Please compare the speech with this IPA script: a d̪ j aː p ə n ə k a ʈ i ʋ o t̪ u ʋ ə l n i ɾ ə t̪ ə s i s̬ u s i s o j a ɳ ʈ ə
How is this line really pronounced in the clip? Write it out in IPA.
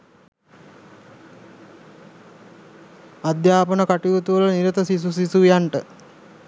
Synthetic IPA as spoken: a d̪ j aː p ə n ə k a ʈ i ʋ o t̪ u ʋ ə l n i ɾ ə t̪ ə s i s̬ u s i s u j a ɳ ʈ ə